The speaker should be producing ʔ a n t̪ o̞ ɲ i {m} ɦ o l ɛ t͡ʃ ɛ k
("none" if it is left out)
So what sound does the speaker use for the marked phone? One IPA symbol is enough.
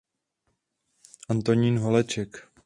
n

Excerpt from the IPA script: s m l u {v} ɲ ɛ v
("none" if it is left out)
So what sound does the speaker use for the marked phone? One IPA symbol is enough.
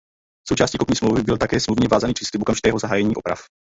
v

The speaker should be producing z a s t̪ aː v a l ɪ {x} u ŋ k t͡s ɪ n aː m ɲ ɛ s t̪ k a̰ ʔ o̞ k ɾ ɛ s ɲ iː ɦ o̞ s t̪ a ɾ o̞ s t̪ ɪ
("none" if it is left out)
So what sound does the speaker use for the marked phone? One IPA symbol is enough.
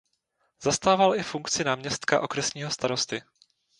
f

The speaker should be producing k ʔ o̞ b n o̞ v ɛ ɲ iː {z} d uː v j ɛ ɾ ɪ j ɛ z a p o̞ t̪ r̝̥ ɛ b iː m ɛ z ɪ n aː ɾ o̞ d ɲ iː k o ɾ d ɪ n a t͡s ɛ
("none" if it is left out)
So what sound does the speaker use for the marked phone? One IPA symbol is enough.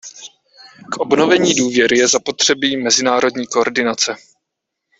none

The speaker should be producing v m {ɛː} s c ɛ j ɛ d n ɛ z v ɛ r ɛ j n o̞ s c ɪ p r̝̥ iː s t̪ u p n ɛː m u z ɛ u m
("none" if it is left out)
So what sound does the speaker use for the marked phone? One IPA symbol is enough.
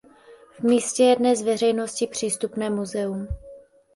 iː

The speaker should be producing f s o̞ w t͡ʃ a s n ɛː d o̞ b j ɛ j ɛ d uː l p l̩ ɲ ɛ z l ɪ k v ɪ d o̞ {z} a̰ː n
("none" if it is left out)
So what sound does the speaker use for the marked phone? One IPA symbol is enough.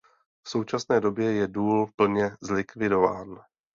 v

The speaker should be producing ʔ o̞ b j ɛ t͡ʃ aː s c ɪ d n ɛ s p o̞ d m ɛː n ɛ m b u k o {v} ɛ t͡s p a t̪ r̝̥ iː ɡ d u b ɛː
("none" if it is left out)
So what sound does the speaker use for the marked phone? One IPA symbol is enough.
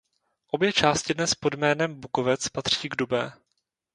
v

